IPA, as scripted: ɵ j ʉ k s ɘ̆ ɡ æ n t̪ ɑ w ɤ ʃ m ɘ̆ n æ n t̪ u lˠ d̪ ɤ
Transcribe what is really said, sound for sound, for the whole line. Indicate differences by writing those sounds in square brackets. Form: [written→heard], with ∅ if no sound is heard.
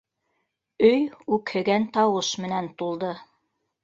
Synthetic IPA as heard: ɵ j ʉ k [s→h] ɘ̆ ɡ æ n t̪ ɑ w ɤ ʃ m ɘ̆ n æ n t̪ u lˠ d̪ ɤ